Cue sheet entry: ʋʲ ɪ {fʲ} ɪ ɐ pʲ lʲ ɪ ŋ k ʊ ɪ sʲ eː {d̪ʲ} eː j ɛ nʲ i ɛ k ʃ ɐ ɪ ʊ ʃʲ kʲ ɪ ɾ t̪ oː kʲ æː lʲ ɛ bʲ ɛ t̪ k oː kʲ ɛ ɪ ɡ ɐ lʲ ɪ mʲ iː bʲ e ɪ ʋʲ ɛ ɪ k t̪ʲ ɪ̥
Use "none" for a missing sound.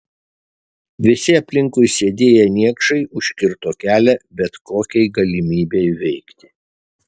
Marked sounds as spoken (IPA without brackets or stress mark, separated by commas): sʲ, d̪ʲ